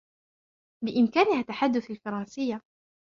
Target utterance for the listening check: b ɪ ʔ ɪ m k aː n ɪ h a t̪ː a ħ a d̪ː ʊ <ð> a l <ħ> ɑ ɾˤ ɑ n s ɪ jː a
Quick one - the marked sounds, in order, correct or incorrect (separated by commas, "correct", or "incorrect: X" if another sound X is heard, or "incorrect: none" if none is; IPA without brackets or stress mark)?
incorrect: θ, incorrect: f